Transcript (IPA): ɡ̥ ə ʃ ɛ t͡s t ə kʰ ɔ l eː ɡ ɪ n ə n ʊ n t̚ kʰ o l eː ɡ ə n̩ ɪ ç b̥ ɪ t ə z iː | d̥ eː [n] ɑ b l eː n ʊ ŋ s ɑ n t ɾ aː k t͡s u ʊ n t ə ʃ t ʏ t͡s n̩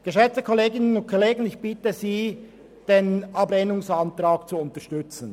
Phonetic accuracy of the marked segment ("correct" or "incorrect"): correct